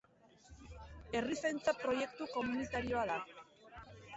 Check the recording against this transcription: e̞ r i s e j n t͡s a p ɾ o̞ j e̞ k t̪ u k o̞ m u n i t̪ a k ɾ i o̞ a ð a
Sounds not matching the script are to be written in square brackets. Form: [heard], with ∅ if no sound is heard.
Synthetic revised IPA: e̞ r i s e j n t͡s a p ɾ o̞ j e̞ k t̪ u k o̞ m u n i t̪ a [∅] ɾ i o̞ a ð a